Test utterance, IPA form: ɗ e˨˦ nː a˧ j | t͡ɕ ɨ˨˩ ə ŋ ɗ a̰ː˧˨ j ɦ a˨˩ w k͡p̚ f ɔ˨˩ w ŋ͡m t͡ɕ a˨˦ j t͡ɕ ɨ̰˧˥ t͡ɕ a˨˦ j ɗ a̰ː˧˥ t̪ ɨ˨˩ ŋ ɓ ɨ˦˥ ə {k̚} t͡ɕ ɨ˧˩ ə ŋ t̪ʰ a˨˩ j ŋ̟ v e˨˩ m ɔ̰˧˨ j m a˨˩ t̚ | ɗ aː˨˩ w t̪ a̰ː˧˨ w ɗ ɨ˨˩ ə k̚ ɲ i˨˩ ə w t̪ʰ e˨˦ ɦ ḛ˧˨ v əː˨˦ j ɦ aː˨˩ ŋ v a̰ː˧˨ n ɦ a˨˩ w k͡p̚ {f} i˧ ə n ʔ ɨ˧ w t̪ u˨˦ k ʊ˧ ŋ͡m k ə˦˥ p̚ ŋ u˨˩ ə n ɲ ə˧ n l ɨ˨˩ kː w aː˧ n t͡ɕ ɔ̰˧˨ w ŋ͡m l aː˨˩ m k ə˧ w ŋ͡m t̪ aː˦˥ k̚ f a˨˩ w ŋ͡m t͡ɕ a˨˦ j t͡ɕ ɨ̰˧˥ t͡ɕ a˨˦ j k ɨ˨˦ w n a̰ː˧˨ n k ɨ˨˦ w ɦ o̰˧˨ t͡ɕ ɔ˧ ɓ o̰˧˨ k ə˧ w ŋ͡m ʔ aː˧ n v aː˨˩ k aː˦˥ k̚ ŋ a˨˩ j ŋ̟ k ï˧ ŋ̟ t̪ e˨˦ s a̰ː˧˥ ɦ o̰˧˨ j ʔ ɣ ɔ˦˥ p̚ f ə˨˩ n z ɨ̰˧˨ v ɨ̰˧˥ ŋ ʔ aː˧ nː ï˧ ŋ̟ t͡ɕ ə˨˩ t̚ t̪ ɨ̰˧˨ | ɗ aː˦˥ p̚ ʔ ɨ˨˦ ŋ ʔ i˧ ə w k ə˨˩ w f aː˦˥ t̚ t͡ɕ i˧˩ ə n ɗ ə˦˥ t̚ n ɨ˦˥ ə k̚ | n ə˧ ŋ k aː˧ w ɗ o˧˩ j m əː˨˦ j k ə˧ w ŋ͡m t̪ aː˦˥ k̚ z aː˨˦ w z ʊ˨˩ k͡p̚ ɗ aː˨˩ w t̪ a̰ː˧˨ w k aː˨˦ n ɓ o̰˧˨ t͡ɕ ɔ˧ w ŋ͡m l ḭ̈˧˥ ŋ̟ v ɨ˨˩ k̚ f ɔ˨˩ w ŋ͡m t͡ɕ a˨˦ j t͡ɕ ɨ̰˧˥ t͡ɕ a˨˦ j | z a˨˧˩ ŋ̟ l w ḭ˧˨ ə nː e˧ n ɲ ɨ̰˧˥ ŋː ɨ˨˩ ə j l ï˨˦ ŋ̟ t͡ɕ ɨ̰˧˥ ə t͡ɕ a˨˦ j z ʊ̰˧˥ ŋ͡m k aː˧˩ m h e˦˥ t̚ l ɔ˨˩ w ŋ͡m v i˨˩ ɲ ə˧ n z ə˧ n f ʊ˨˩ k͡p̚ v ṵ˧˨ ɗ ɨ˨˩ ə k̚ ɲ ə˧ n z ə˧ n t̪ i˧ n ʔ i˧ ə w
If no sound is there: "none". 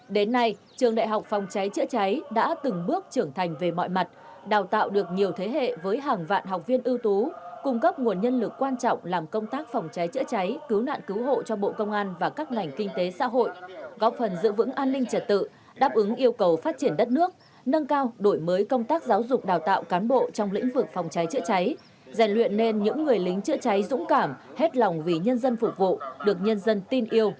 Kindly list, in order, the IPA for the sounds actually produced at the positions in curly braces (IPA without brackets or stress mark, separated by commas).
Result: k̚, v